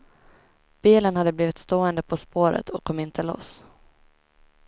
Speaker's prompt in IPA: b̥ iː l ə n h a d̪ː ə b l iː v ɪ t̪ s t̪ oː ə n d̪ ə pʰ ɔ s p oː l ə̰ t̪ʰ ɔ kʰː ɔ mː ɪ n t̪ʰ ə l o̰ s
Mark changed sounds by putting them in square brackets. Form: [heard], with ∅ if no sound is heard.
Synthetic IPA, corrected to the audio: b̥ iː l ə n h a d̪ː ə b l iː v ɪ t̪ s t̪ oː ə n d̪ ə pʰ ɔ s p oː [ɾ] ə̰ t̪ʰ ɔ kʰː ɔ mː ɪ n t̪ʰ ə l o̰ s